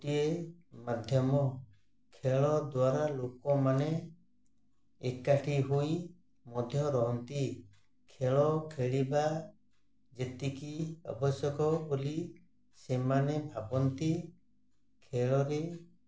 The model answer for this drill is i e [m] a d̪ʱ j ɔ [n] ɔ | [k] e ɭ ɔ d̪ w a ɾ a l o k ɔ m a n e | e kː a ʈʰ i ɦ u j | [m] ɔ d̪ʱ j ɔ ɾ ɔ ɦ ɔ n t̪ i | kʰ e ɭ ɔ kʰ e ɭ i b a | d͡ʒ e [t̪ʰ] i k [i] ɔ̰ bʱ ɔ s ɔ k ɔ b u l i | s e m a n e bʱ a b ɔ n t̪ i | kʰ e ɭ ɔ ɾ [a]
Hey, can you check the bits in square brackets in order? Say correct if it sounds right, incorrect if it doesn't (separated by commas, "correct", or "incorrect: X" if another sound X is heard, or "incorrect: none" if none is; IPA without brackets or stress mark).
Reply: correct, incorrect: m, incorrect: kʰ, correct, incorrect: t̪, correct, incorrect: e